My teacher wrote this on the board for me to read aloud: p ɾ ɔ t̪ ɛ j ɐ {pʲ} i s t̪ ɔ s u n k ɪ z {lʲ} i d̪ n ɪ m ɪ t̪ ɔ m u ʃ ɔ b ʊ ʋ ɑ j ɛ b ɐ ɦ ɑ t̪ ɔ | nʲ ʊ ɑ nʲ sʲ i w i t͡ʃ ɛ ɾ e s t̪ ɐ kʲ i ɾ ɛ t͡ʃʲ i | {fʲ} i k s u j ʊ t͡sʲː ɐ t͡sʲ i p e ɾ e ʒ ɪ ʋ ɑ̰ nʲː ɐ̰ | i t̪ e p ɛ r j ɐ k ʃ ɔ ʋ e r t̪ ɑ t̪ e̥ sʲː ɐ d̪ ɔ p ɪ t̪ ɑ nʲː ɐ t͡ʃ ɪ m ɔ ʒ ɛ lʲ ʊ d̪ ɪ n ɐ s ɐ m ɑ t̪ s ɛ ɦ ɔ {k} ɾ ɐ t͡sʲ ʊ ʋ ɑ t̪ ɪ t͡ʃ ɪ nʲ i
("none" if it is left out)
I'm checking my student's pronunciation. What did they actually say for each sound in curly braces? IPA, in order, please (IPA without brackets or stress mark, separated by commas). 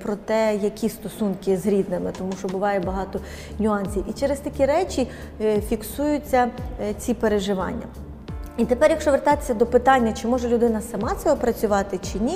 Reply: kʲ, ɾʲ, fʲ, p